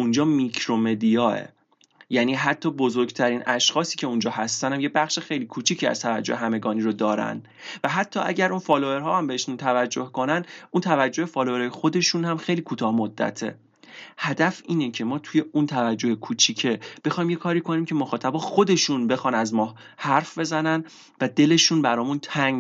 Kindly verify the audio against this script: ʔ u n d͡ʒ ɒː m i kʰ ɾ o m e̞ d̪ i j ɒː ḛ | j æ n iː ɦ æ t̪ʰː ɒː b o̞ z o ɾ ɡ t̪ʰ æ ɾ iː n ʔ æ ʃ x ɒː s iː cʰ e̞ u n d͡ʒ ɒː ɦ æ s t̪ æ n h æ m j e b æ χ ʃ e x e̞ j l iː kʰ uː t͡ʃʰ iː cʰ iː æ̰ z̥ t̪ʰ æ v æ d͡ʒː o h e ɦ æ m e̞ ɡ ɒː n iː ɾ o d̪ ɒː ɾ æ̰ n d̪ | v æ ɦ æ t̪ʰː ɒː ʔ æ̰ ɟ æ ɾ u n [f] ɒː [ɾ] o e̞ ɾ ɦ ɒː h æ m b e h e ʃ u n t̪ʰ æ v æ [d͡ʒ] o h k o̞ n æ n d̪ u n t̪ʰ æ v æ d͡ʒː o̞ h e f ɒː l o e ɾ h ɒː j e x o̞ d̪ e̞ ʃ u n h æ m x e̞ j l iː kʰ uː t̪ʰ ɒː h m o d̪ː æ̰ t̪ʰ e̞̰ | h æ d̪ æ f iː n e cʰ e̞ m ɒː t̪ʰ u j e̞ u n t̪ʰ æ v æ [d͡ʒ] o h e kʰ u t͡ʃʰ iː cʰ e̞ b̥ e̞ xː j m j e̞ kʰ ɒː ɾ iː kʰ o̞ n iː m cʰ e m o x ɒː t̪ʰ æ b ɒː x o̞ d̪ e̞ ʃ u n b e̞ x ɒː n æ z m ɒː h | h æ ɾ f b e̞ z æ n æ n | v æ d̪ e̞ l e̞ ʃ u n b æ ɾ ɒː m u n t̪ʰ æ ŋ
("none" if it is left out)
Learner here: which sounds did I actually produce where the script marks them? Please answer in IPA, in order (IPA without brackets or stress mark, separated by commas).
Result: f, l, d͡ʒː, d͡ʒː